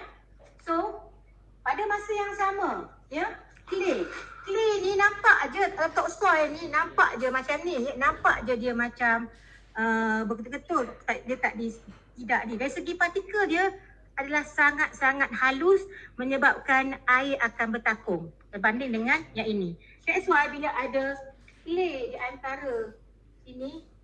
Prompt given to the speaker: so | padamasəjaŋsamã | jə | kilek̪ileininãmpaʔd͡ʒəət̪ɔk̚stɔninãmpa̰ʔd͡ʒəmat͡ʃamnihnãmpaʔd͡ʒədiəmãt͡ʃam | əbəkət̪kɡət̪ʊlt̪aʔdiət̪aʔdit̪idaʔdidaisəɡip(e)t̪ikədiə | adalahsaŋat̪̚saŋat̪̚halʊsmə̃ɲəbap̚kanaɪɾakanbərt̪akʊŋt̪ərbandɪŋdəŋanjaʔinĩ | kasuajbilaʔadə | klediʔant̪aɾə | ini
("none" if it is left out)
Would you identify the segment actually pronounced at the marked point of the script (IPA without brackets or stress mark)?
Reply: a